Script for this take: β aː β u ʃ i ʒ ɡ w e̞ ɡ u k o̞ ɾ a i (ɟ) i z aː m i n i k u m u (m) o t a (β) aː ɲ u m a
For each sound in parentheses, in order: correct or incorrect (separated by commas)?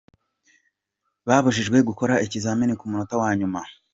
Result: incorrect, incorrect, incorrect